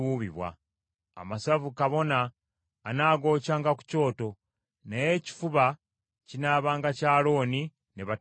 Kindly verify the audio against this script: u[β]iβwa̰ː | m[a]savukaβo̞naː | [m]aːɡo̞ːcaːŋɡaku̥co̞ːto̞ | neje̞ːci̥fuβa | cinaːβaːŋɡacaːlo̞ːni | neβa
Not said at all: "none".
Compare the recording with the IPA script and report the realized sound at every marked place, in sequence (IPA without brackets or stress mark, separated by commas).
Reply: β, a, n